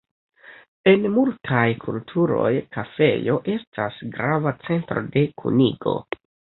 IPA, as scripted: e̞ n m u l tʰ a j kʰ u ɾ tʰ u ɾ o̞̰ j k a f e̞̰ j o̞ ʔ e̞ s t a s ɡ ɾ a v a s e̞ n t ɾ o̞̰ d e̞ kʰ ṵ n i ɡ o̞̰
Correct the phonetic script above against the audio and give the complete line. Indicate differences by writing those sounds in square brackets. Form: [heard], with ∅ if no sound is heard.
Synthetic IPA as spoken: e̞ n m u l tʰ a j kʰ u [l] tʰ u ɾ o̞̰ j k a f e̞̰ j o̞ ʔ e̞ s t a s ɡ ɾ a v a [t͡s] e̞ n t ɾ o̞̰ d e̞ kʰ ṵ n i ɡ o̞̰